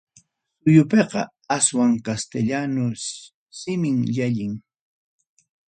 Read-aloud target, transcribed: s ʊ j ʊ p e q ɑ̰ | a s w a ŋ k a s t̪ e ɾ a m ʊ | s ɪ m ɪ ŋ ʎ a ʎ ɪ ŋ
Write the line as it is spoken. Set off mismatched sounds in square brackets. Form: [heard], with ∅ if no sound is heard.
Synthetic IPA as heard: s ʊ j ʊ p e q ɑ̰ | a s w a ŋ k a s t̪ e [ʎ] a [n] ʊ | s ɪ m ɪ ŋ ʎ a ʎ ɪ ŋ